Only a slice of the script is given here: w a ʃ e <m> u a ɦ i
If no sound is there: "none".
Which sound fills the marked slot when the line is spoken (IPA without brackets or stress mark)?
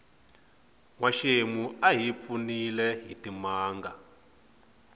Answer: m